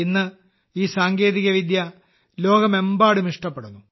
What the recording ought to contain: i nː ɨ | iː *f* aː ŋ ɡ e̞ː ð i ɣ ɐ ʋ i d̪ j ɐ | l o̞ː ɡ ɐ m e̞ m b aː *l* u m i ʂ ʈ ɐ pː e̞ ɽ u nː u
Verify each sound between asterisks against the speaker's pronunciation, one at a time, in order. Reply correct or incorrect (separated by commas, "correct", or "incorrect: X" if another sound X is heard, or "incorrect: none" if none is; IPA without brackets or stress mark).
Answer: incorrect: s, incorrect: ɽ